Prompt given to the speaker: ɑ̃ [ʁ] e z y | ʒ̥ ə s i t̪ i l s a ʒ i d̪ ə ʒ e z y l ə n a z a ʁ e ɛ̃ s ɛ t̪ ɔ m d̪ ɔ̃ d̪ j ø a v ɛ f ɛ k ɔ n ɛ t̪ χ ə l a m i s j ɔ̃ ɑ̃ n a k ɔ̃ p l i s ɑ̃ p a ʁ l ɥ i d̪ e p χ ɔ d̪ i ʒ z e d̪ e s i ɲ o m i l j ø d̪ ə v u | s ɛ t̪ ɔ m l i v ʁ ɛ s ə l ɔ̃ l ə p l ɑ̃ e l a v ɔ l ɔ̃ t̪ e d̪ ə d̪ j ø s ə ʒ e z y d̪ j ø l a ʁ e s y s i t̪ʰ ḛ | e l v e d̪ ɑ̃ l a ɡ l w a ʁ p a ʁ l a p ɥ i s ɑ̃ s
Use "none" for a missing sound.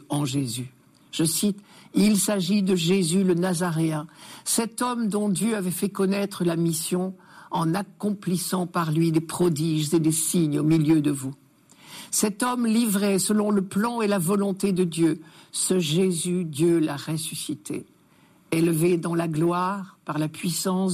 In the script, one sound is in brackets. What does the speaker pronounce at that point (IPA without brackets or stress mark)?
ʒ